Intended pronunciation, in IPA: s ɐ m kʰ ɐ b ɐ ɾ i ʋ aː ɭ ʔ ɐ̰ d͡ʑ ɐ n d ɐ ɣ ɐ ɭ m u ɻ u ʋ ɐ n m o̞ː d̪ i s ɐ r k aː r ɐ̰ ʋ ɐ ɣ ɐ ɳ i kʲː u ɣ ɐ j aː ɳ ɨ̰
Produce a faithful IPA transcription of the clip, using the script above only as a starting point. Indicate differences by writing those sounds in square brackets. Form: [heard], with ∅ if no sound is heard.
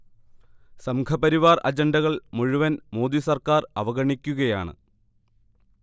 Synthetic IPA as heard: s ɐ m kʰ ɐ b ɐ ɾ i ʋ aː [r] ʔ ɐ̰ d͡ʑ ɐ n d ɐ ɣ ɐ ɭ m u ɻ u ʋ ɐ n m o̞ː d̪ i s ɐ r k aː r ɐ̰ ʋ ɐ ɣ ɐ ɳ i kʲː u ɣ ɐ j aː ɳ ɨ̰